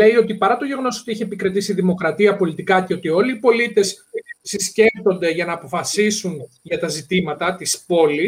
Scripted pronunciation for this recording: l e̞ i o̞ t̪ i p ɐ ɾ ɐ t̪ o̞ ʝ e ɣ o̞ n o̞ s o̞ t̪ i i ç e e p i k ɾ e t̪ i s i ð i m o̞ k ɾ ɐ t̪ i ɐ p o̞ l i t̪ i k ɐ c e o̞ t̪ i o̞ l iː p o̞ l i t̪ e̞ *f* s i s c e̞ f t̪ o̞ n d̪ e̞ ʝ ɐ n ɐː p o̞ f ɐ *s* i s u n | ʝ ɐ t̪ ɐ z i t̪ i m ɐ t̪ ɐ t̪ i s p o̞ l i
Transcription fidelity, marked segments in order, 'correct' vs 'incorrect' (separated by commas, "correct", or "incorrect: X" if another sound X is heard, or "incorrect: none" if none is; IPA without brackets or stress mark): incorrect: s, correct